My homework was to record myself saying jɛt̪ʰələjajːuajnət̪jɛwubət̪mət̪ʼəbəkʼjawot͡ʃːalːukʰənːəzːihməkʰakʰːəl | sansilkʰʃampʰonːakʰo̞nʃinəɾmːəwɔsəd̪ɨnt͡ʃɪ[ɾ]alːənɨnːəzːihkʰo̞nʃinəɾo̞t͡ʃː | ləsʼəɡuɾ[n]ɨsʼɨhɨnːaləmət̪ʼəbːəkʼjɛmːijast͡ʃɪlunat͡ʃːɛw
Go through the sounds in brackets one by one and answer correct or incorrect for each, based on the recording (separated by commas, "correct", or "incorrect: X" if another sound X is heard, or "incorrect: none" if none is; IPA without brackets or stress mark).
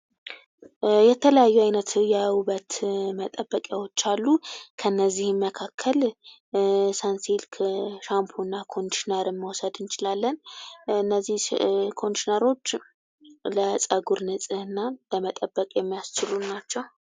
incorrect: l, correct